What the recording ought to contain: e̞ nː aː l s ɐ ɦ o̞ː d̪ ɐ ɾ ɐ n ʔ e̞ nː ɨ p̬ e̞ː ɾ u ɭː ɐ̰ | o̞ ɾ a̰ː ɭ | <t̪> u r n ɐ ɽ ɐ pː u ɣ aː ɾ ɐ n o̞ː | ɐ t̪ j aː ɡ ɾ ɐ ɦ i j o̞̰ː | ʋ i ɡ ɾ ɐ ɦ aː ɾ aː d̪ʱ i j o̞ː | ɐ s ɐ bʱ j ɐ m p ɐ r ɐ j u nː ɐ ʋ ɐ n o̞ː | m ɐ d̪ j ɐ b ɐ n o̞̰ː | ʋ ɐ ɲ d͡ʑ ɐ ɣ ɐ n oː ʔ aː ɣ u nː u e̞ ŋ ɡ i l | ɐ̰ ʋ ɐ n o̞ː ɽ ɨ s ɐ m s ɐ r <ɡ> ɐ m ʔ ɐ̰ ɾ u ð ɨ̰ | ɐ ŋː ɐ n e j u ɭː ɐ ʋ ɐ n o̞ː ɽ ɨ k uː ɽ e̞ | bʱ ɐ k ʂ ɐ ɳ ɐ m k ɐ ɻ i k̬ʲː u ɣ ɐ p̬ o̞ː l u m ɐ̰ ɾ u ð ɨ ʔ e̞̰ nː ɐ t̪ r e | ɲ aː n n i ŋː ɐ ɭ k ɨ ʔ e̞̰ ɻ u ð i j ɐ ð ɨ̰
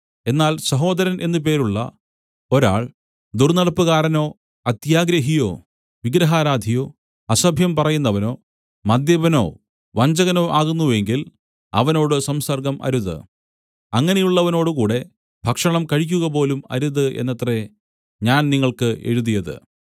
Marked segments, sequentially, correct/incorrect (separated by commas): incorrect, correct